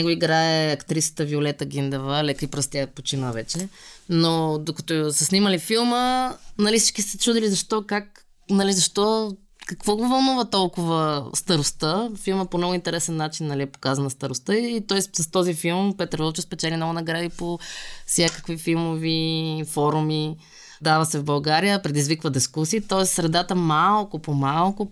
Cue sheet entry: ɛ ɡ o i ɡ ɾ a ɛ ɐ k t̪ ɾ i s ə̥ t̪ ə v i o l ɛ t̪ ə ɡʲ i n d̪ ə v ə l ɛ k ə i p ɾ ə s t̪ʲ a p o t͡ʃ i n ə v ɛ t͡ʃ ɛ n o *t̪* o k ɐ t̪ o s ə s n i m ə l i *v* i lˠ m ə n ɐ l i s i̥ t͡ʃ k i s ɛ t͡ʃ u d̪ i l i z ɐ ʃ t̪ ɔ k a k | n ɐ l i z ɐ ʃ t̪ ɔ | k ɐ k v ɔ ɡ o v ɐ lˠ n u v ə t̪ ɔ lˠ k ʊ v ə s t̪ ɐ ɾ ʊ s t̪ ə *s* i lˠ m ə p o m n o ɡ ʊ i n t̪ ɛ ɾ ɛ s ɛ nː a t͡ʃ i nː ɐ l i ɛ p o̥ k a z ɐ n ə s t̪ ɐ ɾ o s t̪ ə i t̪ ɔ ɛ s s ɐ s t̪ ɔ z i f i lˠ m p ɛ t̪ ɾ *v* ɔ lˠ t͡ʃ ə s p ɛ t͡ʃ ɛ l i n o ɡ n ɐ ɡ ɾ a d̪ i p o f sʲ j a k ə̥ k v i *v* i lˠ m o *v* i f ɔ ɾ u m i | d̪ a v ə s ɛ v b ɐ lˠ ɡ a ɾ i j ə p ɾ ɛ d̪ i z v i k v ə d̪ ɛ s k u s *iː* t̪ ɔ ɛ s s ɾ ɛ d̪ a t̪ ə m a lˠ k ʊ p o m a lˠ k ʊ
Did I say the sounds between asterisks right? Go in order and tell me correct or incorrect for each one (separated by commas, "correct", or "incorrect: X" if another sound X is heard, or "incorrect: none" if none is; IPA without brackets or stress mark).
incorrect: d̪, incorrect: f, incorrect: f, correct, incorrect: f, correct, correct